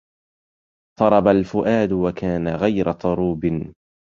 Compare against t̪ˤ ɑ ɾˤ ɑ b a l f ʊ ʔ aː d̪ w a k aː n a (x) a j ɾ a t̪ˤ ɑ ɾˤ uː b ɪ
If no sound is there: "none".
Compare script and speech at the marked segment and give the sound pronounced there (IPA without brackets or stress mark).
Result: ɣ